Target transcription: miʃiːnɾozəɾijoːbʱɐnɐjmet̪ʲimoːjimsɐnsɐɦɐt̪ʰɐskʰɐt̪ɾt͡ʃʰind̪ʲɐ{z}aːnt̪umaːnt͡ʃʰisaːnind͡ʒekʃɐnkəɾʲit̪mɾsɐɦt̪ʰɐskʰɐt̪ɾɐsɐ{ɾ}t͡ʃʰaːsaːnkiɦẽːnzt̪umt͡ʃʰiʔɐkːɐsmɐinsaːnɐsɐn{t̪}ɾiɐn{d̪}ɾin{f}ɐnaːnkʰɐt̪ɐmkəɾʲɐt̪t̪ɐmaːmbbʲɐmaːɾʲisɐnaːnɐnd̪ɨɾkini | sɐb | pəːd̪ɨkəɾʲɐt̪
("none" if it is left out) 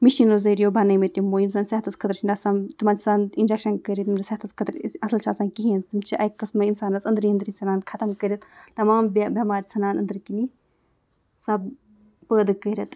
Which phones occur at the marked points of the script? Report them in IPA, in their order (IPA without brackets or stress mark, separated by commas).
s, l, d̪, d̪, s